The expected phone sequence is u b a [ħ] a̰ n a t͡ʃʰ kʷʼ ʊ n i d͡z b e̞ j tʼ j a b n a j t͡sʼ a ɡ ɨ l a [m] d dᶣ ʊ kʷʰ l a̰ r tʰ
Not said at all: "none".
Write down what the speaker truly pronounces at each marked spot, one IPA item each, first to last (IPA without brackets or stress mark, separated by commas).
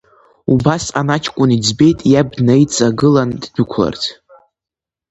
s, n